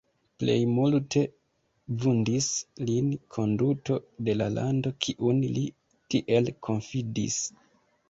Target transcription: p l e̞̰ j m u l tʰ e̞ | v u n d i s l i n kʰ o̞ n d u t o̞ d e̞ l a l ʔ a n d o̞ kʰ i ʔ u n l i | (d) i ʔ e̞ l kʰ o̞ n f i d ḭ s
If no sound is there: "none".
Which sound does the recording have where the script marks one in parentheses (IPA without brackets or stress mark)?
t